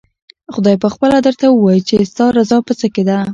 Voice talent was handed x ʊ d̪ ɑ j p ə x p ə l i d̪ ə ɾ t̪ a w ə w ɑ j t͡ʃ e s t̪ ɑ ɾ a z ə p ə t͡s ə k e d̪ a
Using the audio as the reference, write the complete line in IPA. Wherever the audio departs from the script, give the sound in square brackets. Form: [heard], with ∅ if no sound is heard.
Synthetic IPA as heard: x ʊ d̪ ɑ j p ə x p ə l [a] d̪ ə ɾ t̪ a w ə w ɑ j t͡ʃ e s t̪ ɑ ɾ a z [ɑ] p ə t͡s ə k e d̪ a